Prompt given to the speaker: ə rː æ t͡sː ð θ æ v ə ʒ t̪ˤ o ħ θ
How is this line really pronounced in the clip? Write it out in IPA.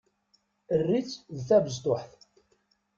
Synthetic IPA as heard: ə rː i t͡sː ð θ æ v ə z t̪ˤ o ħ θ